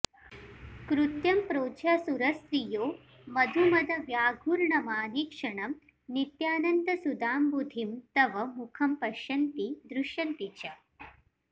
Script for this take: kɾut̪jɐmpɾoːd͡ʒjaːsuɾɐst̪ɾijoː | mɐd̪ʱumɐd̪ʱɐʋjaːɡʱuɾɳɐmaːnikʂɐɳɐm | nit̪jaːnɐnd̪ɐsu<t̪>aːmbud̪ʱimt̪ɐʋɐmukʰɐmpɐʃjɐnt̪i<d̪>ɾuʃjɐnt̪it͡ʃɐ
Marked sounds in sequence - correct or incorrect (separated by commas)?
incorrect, correct